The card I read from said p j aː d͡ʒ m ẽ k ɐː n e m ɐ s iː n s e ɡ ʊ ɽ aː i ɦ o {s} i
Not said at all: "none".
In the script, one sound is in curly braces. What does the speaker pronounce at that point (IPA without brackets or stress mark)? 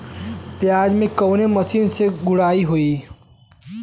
none